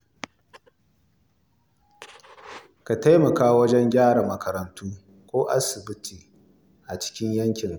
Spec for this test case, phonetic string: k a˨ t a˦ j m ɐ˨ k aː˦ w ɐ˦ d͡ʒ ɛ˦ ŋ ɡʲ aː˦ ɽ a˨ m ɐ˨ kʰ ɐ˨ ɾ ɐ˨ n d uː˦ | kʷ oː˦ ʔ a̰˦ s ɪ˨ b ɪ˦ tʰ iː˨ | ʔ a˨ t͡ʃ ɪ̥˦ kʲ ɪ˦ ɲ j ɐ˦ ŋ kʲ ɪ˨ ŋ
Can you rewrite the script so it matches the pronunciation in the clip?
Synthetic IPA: k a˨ t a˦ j m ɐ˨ k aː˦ w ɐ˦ d͡ʒ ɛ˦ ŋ ɡʲ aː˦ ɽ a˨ m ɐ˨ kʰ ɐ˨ ɾ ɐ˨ n t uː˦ | kʷ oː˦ ʔ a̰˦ s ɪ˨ b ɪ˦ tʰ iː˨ | ʔ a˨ t͡ʃ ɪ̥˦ kʲ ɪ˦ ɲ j ɐ˦ ŋ kʲ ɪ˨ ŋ